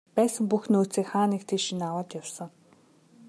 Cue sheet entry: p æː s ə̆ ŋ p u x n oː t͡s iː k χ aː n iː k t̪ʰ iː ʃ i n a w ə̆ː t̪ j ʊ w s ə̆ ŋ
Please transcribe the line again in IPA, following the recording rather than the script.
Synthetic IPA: p æː s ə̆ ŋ p u x n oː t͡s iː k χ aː n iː k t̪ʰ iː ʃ i n a w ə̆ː t̪ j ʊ w s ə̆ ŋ